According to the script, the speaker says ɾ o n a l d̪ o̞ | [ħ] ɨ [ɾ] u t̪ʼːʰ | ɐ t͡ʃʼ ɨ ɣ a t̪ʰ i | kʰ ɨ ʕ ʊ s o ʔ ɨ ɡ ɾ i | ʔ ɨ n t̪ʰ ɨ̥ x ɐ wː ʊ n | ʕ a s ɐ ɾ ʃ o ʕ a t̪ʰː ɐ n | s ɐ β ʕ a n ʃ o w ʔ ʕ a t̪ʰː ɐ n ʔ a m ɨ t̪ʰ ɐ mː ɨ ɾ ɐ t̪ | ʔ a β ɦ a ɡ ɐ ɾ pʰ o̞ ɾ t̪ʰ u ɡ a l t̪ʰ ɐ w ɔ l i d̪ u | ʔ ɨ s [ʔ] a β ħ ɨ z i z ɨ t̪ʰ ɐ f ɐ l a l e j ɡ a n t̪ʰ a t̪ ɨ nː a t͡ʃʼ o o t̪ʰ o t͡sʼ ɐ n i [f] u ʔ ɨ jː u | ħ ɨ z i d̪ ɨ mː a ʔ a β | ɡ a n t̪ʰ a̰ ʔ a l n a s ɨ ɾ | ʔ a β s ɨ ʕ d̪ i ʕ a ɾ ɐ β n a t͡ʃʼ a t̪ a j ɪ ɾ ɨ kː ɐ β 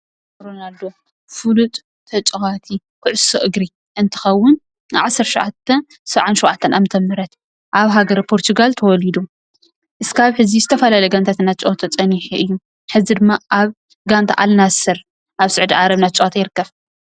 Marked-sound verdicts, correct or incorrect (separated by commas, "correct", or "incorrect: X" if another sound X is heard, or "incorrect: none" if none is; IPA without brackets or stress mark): incorrect: f, incorrect: l, incorrect: k, incorrect: ħ